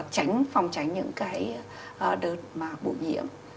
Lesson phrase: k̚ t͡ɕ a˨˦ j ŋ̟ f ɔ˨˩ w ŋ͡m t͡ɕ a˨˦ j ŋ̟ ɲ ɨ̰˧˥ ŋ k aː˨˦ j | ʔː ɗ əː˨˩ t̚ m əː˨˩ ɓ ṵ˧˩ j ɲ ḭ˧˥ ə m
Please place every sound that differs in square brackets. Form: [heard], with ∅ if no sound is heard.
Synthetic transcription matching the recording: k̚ t͡ɕ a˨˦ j ŋ̟ f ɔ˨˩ w ŋ͡m t͡ɕ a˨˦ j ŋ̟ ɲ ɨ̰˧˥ ŋ k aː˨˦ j | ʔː ɗ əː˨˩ t̚ m [aː˨˩] ɓ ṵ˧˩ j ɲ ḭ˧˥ ə m